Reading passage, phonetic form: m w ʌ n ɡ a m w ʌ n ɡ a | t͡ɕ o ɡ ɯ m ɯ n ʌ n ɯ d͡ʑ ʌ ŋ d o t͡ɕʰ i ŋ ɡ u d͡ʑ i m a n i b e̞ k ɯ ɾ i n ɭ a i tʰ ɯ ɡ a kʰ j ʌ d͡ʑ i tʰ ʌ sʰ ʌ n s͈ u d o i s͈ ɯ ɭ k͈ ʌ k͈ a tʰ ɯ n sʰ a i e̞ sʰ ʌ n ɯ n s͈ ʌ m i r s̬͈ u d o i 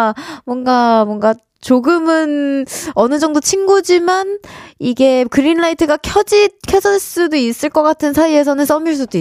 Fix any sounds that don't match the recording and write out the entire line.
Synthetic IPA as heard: m w ʌ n ɡ a m w ʌ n ɡ a | t͡ɕ o ɡ ɯ m ɯ n ʌ n ɯ d͡ʑ ʌ ŋ d o t͡ɕʰ i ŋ ɡ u d͡ʑ i m a n i ɡ e̞ k ɯ ɾ i n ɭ a i tʰ ɯ ɡ a kʰ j ʌ d͡ʑ i kʰ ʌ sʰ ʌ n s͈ u d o i s͈ ɯ ɭ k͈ ʌ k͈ a tʰ ɯ n sʰ a i e̞ sʰ ʌ n ɯ n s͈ ʌ m i ɭ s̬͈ u d o i